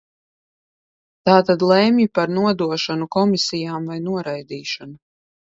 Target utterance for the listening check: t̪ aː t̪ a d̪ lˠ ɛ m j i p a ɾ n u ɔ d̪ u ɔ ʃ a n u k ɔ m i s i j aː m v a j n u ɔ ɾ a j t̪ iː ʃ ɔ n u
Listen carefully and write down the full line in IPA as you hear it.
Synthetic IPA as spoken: t̪ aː t̪ a d̪ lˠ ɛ m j i p a ɾ n u ɔ d̪ u ɔ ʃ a n u k ɔ m i s i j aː m v a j n u ɔ ɾ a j d̪ iː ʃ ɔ n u